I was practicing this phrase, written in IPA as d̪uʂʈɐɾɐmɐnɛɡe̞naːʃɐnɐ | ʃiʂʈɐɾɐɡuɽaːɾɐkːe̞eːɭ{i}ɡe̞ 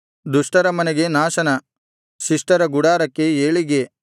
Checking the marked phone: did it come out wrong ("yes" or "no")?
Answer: no